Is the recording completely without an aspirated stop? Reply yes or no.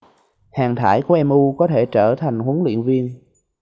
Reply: no